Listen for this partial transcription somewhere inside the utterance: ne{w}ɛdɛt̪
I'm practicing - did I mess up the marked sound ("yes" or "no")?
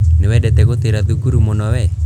no